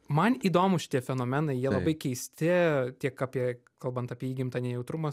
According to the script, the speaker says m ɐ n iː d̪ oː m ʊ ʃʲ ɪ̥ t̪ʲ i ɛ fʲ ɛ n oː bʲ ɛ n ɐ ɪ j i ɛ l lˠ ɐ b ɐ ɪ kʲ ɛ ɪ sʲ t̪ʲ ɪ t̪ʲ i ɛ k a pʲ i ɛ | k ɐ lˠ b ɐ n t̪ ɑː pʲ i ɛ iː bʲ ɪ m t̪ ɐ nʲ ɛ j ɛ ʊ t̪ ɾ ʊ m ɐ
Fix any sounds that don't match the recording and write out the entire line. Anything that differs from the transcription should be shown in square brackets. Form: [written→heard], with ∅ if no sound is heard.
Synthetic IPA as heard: m ɐ n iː d̪ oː m ʊ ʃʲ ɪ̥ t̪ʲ i ɛ fʲ ɛ n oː [bʲ→mʲ] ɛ n ɐ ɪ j i ɛ l lˠ ɐ b ɐ ɪ kʲ ɛ ɪ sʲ t̪ʲ ɪ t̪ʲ i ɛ k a pʲ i ɛ | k ɐ lˠ b ɐ n t̪ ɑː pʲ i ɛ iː [bʲ→ɡʲ] ɪ m t̪ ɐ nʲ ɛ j ɛ ʊ t̪ ɾ ʊ m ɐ

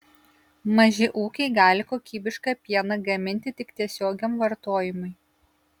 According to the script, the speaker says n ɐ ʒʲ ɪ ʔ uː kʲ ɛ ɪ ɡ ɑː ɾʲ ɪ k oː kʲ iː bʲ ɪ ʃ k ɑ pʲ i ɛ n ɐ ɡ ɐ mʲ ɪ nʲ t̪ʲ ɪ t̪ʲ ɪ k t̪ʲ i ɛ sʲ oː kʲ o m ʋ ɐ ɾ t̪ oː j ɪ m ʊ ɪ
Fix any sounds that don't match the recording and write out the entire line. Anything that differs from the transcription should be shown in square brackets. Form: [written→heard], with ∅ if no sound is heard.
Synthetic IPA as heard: [n→m] ɐ ʒʲ ɪ ʔ uː kʲ ɛ ɪ ɡ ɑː [ɾʲ→lʲ] ɪ k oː kʲ iː bʲ ɪ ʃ k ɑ pʲ i ɛ n ɐ ɡ ɐ mʲ ɪ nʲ t̪ʲ ɪ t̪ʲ ɪ k t̪ʲ i ɛ sʲ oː [kʲ→ɡʲ] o m ʋ ɐ ɾ t̪ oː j ɪ m ʊ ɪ

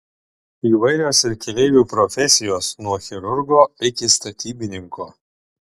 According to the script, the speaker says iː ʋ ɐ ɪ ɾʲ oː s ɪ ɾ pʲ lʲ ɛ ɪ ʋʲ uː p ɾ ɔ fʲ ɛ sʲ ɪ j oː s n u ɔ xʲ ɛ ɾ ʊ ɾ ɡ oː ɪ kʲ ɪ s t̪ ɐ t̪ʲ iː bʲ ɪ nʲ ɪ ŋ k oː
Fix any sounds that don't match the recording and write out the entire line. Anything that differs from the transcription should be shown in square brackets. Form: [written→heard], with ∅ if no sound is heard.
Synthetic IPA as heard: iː ʋ ɐ ɪ ɾʲ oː s ɪ ɾ [pʲ→kʲ] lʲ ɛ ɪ ʋʲ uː p ɾ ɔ fʲ ɛ sʲ ɪ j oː s n u ɔ xʲ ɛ ɾ ʊ ɾ ɡ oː ɪ kʲ ɪ s t̪ ɐ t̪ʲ iː bʲ ɪ nʲ ɪ ŋ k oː

